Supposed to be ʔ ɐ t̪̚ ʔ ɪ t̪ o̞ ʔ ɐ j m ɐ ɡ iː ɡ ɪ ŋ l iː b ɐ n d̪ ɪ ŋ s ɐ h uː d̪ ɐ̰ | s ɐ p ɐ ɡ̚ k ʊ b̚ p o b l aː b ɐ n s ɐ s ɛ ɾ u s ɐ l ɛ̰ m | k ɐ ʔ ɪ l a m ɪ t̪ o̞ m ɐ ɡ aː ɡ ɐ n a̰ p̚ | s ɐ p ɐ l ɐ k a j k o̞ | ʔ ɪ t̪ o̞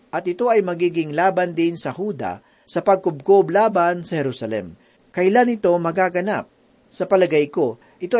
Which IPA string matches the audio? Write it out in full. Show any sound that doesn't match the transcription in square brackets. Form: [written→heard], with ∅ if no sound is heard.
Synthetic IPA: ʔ ɐ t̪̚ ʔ ɪ t̪ o̞ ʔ ɐ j m ɐ ɡ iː ɡ ɪ ŋ l [iː→aː] b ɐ n d̪ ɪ [ŋ→n] s ɐ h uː d̪ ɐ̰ | s ɐ p ɐ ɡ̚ k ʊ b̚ [p→k] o b l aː b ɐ n s ɐ [s→h] ɛ ɾ u s ɐ l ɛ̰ m | k ɐ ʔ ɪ l a [m→n] ɪ t̪ o̞ m ɐ ɡ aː ɡ ɐ n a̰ p̚ | s ɐ p ɐ l ɐ [k→ɡ] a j k o̞ | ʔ ɪ t̪ o̞